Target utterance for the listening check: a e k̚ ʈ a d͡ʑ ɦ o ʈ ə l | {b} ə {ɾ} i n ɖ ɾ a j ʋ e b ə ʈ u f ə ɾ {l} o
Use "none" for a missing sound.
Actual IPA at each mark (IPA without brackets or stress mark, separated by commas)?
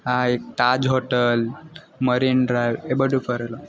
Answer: m, ɾ, l